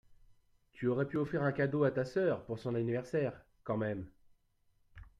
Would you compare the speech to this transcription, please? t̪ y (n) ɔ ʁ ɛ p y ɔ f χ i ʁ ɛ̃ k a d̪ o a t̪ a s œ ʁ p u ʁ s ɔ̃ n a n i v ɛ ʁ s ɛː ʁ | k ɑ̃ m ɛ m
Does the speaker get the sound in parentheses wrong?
yes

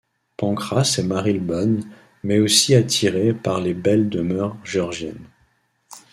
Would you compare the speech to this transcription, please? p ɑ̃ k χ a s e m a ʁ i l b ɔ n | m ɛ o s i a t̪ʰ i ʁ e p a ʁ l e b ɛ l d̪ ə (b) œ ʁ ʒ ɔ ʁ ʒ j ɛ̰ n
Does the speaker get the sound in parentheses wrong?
yes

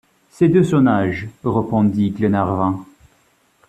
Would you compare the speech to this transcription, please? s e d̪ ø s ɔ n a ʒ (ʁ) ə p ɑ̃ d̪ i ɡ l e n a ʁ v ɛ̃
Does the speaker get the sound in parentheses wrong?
no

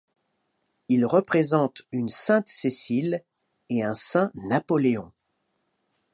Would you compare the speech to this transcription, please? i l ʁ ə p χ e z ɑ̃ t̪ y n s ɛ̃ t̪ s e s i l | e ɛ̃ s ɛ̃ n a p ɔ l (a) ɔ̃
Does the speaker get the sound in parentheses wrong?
yes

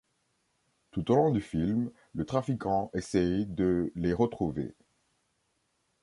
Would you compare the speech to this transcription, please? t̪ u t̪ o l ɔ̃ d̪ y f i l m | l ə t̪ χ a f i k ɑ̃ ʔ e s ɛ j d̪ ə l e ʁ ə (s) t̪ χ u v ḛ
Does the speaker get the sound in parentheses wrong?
yes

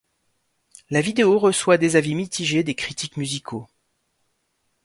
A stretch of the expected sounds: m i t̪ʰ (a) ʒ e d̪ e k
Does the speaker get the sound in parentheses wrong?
yes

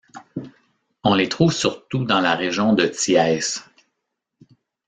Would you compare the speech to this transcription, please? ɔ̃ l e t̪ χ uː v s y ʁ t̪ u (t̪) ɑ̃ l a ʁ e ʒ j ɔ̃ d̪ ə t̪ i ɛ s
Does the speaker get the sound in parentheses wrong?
yes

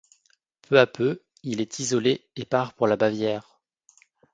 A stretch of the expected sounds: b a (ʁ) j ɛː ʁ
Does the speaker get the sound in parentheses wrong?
yes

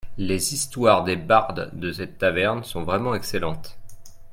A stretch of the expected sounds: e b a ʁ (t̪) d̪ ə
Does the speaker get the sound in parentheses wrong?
yes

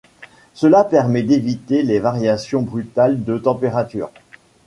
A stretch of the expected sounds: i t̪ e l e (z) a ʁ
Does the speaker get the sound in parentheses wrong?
yes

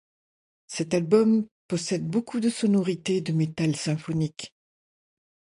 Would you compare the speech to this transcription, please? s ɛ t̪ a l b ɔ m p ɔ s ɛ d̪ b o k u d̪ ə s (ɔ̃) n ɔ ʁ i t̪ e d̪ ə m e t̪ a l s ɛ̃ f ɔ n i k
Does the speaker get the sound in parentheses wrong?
yes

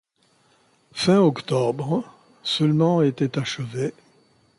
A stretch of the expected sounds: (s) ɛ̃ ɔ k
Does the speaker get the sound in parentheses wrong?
yes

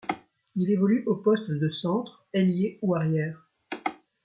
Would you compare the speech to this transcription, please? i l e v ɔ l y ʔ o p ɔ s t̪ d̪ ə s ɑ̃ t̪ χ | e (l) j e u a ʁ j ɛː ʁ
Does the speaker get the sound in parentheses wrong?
no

